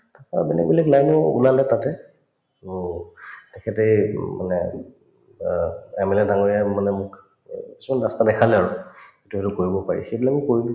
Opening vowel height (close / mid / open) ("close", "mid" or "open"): open